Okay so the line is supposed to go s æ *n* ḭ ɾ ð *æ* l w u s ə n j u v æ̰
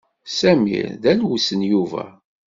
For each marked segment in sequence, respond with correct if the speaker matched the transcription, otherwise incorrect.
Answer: incorrect, correct

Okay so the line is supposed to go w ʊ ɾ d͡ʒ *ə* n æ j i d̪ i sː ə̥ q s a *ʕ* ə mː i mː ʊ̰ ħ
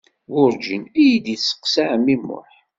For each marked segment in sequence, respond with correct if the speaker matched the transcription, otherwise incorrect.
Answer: correct, correct

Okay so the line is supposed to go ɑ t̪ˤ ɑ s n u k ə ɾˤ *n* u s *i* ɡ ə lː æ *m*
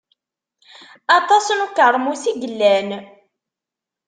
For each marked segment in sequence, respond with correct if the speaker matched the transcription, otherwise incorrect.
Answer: incorrect, correct, incorrect

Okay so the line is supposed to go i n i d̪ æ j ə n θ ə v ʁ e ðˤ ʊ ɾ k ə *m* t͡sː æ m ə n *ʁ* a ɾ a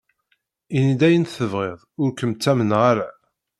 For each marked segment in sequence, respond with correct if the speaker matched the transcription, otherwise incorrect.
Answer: correct, correct

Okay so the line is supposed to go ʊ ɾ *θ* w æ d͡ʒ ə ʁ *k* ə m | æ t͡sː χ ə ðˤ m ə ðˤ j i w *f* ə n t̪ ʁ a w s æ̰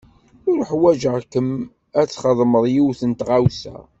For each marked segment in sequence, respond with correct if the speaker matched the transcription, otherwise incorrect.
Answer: incorrect, correct, incorrect

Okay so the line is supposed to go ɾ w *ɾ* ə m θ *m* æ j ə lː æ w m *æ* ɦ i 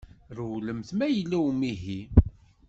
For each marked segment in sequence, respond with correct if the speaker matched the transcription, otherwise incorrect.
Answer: incorrect, correct, incorrect

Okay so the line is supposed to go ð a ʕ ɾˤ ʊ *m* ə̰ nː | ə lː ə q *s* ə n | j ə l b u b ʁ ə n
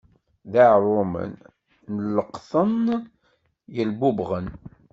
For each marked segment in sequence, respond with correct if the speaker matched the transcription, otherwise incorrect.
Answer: correct, incorrect

